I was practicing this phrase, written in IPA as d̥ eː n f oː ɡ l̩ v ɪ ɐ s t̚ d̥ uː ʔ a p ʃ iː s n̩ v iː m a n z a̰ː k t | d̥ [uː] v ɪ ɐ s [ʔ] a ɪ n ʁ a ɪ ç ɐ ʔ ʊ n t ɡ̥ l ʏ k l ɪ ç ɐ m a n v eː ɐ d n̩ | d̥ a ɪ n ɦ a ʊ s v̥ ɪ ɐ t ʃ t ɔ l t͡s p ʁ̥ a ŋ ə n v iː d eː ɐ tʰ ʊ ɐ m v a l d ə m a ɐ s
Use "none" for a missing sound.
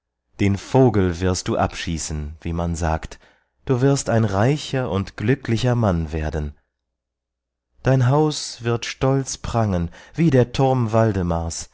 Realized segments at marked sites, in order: uː, t

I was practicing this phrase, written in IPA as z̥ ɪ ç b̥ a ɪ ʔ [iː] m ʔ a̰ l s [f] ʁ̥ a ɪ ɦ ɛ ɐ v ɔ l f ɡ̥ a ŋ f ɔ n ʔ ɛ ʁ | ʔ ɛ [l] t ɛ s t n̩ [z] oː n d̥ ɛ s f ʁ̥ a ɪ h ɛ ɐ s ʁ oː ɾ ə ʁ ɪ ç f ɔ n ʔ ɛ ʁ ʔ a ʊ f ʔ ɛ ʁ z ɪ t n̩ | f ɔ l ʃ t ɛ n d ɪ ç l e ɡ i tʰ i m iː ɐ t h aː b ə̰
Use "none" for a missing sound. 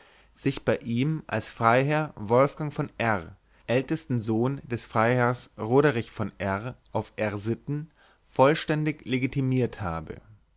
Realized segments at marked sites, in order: iː, f, l, z

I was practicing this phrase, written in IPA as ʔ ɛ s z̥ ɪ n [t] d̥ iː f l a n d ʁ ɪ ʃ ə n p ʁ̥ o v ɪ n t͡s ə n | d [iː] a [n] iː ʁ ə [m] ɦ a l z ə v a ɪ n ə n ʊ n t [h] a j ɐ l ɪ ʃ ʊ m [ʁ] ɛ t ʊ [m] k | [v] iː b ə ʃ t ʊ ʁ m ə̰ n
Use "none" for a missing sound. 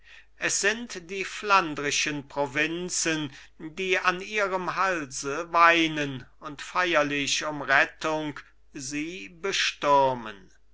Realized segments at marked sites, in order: t, iː, n, m, f, ʁ, ŋ, z

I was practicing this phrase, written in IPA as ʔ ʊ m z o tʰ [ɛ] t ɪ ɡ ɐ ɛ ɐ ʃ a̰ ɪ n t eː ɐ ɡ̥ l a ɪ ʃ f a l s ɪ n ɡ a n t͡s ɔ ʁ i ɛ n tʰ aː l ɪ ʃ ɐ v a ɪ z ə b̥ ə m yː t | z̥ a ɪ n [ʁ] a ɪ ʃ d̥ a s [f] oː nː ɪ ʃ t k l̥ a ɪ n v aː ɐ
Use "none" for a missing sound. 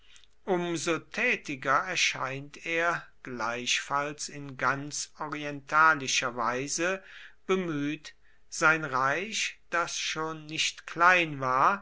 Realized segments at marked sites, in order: ɛː, ʁ, ʃ

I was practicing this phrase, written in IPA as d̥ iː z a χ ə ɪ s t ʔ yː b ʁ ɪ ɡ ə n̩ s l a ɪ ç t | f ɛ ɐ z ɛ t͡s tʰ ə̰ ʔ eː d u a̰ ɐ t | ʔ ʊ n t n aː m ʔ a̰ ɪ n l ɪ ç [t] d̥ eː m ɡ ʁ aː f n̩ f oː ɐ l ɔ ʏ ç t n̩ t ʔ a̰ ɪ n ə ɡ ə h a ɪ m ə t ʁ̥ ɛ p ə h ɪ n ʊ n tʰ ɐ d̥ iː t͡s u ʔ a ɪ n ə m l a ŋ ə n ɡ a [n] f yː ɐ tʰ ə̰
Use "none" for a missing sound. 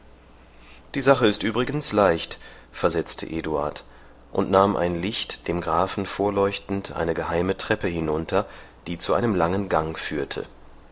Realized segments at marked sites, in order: t, ŋ

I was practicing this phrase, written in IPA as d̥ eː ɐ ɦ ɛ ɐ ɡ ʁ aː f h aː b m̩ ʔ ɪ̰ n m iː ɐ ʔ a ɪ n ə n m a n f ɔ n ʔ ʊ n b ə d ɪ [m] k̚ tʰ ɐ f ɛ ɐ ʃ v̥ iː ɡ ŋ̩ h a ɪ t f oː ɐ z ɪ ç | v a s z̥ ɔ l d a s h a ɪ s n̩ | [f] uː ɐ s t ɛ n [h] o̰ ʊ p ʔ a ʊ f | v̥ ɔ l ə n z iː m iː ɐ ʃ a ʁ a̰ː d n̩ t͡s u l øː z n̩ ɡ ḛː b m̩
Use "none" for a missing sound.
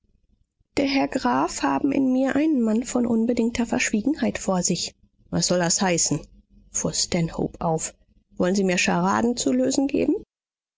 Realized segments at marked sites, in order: ŋ, f, h

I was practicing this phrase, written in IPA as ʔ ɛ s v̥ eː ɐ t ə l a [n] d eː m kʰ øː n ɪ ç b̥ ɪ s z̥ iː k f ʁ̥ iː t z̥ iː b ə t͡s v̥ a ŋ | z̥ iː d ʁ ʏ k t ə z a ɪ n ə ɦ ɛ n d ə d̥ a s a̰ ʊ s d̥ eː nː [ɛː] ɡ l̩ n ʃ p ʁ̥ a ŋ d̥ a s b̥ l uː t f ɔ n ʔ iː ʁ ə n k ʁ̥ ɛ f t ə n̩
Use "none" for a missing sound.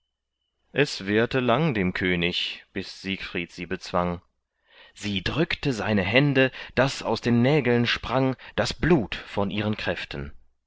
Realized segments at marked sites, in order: ŋ, ɛː

